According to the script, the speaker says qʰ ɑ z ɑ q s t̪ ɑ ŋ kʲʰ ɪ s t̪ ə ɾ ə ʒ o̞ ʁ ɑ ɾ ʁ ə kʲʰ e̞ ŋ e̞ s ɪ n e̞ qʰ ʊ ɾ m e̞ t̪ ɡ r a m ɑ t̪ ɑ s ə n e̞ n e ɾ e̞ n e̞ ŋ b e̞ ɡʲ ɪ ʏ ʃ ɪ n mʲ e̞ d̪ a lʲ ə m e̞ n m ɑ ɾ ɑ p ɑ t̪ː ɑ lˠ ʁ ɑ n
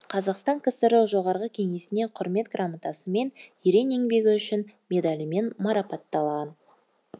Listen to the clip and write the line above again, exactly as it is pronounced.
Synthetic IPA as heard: qʰ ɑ z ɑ q s t̪ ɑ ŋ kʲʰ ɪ s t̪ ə ɾ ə ʒ o̞ ʁ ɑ ɾ ʁ ə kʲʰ e̞ ŋ e̞ s ɪ n e̞ qʰ ʊ ɾ m e̞ t̪ ɡ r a m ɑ t̪ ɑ s ə m e̞ n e ɾ e̞ n e̞ ŋ b e̞ ɡʲ ɪ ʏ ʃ ɪ n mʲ e̞ d̪ a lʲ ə m e̞ n m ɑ ɾ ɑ p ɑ t̪ː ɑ lˠ ʁ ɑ n